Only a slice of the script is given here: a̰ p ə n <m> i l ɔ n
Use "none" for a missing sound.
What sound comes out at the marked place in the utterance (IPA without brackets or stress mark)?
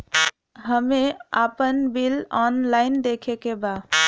b